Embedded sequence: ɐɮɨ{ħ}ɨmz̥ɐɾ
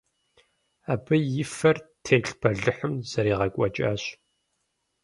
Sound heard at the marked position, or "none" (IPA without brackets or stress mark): ħ